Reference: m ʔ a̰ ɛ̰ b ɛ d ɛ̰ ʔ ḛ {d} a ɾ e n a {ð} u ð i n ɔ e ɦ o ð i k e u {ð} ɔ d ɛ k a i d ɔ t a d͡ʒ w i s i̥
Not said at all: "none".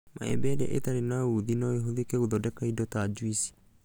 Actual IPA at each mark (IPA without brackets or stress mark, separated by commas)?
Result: t, none, ð